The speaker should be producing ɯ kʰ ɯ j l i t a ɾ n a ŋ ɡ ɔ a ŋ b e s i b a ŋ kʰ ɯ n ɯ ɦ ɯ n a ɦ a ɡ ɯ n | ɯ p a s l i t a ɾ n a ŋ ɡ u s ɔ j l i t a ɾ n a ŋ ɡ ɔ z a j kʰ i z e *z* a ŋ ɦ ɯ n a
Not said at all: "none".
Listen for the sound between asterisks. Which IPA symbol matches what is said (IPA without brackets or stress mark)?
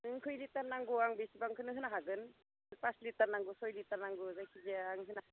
none